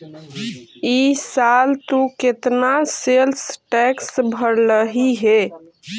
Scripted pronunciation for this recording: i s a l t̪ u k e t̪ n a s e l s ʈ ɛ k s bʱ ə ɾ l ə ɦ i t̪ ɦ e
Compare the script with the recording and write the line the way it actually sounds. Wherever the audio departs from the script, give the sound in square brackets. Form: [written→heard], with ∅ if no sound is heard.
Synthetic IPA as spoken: i s a l t̪ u k e t̪ n a s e l s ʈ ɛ k s bʱ ə ɾ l ə ɦ i [t̪→∅] ɦ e